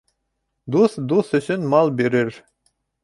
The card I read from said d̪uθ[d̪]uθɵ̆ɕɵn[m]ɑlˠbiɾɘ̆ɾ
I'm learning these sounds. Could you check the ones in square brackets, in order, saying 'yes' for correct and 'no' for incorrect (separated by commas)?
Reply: yes, yes